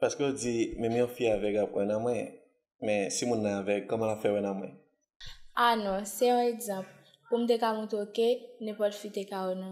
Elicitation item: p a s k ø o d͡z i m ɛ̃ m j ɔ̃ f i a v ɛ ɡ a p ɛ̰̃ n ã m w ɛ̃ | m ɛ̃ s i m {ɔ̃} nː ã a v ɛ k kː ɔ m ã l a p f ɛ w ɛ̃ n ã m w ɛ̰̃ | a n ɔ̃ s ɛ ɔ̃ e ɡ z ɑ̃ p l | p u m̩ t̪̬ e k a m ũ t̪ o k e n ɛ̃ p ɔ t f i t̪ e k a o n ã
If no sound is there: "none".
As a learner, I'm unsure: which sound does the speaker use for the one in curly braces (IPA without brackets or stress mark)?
ũ